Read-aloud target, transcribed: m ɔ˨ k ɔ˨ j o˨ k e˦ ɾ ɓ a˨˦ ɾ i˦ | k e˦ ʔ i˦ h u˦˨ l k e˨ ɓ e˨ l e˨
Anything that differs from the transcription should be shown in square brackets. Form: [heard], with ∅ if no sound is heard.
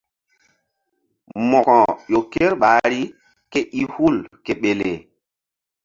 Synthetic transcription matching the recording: m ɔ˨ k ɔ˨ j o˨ k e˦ ɾ ɓ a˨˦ ɾ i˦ | k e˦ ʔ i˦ h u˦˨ l k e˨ ɓ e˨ l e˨